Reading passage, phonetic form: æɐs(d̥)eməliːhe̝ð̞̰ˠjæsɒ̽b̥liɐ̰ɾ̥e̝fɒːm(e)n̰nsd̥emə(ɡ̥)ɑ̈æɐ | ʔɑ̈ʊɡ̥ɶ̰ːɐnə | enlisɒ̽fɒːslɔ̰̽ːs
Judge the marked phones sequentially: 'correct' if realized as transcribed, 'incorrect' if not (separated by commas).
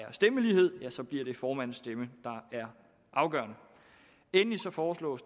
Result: correct, incorrect, incorrect